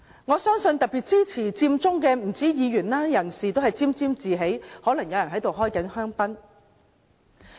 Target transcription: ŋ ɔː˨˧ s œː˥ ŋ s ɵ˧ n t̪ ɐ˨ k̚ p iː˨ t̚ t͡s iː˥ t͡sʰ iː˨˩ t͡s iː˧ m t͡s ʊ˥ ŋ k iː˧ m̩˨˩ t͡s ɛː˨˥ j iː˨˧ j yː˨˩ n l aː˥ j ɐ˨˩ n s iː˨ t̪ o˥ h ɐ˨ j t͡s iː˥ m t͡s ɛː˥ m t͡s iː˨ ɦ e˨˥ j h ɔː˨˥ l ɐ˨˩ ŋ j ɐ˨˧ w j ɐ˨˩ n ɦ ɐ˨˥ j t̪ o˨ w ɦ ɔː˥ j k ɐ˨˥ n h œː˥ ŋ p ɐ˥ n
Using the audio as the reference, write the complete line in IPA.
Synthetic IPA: ŋ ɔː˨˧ s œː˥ ŋ s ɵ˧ n t̪ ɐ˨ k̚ p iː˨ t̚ t͡s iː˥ t͡sʰ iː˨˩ t͡s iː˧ m t͡s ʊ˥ ŋ k ɛː˧ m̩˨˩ t͡s iː˨˥ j iː˨˧ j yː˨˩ n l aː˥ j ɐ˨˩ n s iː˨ t̪ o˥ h ɐ˨ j t͡s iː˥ m t͡s iː˥ m t͡s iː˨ ɦ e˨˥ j h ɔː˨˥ l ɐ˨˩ ŋ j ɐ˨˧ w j ɐ˨˩ n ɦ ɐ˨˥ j t̪ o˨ w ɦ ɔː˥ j k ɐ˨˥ n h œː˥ ŋ p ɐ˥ n